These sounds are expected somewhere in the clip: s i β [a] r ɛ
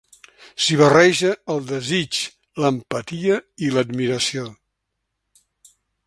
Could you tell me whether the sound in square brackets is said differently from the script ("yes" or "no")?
yes